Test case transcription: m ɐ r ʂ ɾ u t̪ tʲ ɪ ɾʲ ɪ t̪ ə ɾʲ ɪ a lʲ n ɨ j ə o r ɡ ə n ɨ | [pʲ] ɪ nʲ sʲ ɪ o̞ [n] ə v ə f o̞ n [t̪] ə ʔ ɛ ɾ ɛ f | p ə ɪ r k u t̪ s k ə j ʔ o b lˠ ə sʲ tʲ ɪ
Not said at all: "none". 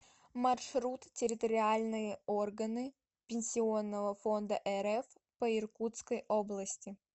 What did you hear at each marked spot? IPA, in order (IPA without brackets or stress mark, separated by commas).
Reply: pʲ, nː, d̪